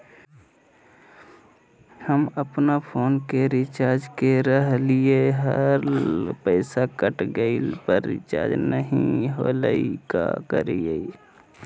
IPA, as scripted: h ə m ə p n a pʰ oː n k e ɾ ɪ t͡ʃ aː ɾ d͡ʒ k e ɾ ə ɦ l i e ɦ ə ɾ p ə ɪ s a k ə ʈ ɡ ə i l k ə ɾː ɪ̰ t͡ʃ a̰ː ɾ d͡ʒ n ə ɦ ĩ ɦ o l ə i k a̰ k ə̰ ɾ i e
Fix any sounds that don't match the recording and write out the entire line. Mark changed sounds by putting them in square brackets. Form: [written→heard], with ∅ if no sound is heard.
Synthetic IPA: h ə m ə p n a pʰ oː n k e ɾ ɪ t͡ʃ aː ɾ d͡ʒ k e ɾ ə ɦ l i e ɦ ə ɾ p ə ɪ s a k ə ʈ ɡ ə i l [k→p] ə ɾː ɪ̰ t͡ʃ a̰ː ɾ d͡ʒ n ə ɦ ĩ ɦ o l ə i k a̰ k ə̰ ɾ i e